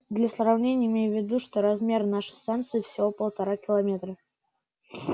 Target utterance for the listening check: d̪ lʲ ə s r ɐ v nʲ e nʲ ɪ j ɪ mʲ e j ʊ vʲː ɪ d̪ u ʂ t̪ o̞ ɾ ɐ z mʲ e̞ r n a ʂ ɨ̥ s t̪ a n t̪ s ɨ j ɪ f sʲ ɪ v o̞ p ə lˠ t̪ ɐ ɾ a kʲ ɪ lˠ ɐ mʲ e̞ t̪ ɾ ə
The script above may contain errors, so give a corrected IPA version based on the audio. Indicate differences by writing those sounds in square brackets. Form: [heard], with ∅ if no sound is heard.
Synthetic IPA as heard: d̪ lʲ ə s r ɐ v nʲ e nʲ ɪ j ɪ mʲ e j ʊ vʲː ɪ d̪ u ʂ t̪ o̞ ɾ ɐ z mʲ e̞ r n a ʂ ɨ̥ s t̪ a n t̪ s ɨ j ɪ f sʲ ɪ v o̞ p ə lˠ t̪ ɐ ɾ a kʲ ɪ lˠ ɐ mʲ e̞ t̪ ɾ ə